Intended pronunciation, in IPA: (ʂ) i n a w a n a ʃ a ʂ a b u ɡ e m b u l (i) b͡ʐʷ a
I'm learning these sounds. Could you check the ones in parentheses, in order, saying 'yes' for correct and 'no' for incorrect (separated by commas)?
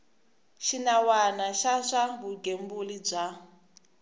no, yes